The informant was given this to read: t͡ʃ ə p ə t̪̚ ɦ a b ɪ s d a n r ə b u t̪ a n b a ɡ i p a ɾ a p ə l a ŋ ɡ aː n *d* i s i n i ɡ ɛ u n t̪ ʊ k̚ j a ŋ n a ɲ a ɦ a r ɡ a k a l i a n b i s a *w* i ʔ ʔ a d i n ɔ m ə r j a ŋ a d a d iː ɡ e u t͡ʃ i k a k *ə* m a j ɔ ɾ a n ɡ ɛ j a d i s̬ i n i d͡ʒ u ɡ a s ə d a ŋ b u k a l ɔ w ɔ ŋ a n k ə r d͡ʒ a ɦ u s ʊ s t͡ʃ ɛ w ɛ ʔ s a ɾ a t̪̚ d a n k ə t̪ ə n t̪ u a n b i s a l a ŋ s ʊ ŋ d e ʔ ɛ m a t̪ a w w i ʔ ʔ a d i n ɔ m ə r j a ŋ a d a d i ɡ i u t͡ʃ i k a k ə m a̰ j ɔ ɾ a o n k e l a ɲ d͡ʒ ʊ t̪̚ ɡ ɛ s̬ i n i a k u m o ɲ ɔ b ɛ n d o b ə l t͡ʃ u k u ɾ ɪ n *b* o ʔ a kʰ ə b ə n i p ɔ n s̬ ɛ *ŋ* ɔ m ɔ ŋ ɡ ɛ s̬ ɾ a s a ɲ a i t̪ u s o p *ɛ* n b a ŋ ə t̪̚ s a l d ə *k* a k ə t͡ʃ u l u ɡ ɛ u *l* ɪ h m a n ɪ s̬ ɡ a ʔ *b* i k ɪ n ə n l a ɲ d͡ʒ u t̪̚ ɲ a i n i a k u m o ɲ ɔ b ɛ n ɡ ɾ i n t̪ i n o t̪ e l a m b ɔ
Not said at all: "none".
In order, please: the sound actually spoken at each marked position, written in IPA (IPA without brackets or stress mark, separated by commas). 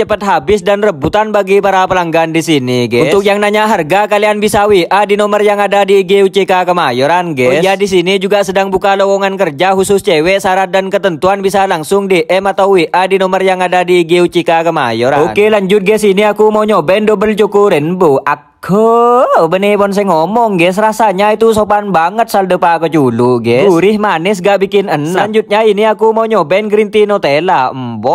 d, w, ə, b, ŋ, a, p, ɾ, b